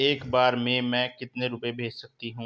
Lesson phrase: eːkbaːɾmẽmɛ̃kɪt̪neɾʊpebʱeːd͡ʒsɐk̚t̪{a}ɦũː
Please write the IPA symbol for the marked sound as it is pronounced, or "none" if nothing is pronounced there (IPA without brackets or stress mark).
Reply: i